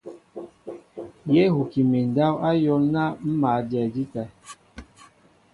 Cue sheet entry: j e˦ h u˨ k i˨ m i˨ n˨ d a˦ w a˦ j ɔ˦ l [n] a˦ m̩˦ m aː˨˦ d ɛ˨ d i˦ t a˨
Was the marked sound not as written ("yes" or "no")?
no